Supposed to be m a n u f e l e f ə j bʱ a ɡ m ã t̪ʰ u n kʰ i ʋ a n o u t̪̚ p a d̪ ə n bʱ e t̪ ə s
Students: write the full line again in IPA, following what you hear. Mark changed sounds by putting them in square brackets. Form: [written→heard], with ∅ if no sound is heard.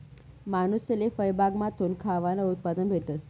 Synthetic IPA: m a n u [f→s] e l e f ə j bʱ a ɡ m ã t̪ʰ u n kʰ [i→a] ʋ a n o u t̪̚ p a d̪ ə n bʱ e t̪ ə s